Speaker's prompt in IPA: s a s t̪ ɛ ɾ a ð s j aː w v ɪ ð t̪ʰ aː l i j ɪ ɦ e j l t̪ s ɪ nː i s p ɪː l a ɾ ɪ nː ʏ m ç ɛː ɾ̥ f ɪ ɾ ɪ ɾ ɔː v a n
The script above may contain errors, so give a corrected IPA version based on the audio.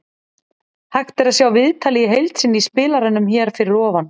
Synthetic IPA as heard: h a x t̪ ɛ ɾ a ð s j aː w v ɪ ð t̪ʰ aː l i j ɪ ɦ e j l t̪ s ɪ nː i s p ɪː l a ɾ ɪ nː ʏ m ç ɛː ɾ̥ f ɪ ɾ ɪ ɾ ɔː v a n